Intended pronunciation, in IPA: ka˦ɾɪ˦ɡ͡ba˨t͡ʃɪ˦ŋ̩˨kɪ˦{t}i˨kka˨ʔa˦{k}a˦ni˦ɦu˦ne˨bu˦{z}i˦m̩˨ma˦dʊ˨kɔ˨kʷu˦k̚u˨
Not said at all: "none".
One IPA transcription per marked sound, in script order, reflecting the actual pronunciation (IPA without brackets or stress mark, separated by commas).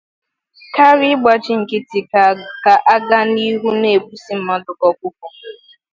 t, ɡ, s